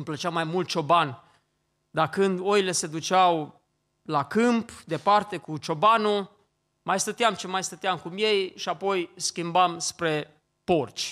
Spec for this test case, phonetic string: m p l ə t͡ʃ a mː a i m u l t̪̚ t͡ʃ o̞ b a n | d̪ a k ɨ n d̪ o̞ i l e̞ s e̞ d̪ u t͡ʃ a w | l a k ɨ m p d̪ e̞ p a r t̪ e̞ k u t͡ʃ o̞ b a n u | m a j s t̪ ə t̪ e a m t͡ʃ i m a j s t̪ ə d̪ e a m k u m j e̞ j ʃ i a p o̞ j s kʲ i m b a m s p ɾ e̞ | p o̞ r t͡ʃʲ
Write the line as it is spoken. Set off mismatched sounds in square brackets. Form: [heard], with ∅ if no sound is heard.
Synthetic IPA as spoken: m p l ə t͡ʃ a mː a [j] m u l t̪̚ t͡ʃ o̞ b a n | d̪ a k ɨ n d̪ o̞ i l e̞ s e̞ d̪ u t͡ʃ a w | l a k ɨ m p d̪ e̞ p a r t̪ e̞ k u t͡ʃ o̞ b a n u | m a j s t̪ ə t̪ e a m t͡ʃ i m a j s t̪ ə [t̪] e a m k u m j e̞ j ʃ i a p o̞ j s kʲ i m b a m s p ɾ e̞ | p o̞ r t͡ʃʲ